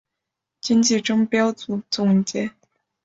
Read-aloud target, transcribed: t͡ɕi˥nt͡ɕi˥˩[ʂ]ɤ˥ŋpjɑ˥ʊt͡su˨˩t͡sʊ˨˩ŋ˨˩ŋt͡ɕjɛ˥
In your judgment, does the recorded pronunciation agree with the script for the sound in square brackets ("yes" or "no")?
no